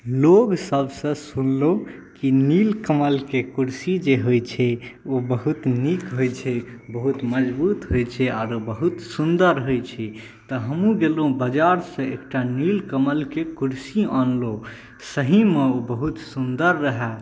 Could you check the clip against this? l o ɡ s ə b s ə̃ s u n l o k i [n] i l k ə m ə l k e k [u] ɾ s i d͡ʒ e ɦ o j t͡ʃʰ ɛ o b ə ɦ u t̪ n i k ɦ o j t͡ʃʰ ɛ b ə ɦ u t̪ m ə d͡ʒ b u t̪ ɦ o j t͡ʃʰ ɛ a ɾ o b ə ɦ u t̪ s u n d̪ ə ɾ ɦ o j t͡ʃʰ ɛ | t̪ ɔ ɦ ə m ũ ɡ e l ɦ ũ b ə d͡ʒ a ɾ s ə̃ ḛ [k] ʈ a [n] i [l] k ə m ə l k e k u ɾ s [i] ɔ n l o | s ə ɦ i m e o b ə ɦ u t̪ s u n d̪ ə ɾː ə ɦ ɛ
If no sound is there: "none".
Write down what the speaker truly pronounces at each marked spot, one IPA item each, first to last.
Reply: n, u, k, n, l, i

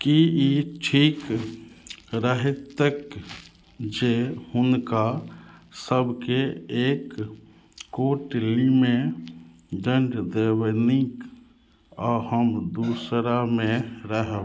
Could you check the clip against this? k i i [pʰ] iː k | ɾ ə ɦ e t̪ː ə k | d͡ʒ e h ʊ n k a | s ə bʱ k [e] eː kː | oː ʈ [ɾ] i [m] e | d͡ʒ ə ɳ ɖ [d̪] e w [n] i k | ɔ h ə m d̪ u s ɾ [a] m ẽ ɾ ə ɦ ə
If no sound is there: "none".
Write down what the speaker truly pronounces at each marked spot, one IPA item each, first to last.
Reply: ʈʰ, e, l, m, d̪, n, a

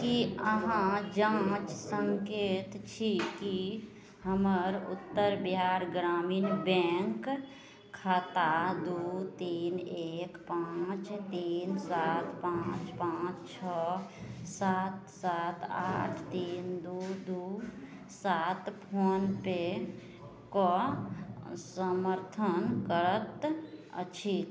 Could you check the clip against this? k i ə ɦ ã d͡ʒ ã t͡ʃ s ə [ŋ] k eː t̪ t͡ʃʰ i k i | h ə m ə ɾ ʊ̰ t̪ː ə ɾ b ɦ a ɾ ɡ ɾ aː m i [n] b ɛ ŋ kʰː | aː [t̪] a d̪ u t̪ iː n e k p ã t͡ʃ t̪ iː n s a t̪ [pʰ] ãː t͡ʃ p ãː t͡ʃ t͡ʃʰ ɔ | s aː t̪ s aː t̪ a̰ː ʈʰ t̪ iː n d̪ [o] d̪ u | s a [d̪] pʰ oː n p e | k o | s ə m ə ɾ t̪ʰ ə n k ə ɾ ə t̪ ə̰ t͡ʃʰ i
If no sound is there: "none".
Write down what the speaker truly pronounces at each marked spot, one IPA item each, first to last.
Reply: ŋ, n, t̪, p, u, t̪

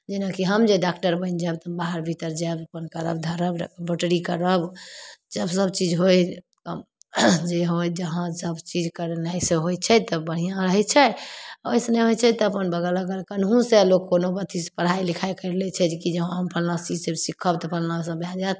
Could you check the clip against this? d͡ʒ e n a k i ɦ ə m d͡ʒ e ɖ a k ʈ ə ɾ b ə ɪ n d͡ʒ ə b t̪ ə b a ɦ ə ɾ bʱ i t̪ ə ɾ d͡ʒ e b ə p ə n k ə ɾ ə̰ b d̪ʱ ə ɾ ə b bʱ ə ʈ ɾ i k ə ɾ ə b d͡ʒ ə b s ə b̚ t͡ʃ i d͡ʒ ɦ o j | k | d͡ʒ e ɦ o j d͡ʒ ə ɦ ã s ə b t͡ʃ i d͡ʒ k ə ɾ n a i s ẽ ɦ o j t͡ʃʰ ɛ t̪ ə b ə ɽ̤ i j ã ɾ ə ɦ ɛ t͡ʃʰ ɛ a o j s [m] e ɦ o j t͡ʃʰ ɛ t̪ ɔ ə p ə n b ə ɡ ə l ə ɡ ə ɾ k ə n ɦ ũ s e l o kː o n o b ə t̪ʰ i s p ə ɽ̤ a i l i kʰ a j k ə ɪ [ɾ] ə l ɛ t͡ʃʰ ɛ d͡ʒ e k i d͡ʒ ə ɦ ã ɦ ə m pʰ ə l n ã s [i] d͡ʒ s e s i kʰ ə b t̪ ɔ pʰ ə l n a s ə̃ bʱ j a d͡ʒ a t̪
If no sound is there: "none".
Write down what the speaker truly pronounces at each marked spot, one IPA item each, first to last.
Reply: n, ɾ, i

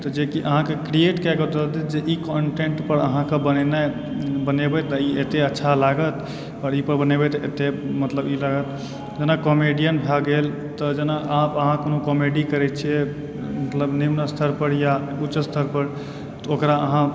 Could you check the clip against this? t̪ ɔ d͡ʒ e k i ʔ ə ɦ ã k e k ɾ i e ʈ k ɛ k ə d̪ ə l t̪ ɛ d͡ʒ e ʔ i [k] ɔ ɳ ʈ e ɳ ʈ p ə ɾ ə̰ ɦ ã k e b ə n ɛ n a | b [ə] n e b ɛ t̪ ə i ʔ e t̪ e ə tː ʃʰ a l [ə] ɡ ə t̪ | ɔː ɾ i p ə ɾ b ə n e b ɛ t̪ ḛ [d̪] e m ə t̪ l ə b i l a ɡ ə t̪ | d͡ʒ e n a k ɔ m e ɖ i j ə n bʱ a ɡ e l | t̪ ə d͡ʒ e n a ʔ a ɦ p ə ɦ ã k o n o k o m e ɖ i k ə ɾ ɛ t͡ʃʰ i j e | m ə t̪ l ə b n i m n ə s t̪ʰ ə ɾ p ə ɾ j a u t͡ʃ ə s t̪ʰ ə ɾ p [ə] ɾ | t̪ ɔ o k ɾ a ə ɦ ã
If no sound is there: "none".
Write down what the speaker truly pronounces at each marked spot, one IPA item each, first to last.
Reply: k, ə, a, t̪, ə

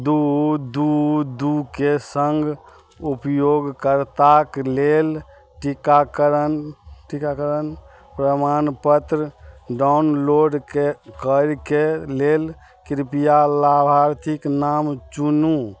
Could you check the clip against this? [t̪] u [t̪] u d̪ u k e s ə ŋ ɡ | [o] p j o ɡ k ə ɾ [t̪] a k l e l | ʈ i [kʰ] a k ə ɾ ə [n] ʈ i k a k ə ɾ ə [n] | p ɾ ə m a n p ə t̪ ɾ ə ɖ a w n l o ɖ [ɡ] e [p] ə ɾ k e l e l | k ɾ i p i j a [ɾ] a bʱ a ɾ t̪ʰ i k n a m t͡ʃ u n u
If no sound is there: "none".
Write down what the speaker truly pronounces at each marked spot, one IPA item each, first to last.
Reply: d̪, d̪, u, t̪, k, n, n, k, k, l

